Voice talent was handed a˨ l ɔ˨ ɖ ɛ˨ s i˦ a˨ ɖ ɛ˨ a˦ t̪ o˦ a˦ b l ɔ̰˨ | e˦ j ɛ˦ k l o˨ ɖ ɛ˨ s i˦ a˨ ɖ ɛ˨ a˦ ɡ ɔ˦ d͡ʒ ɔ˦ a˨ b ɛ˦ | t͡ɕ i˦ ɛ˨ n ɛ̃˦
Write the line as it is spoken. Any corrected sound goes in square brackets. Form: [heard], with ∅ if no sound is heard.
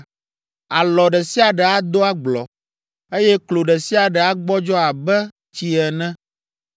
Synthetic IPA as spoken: a˨ l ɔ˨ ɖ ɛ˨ s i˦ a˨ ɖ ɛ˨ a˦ [d̪] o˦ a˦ [ɡ͡b] l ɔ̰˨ | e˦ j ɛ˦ k l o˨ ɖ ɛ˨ s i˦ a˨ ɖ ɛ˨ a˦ [ɡ͡b] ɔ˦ d͡ʒ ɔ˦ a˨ b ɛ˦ | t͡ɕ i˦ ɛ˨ n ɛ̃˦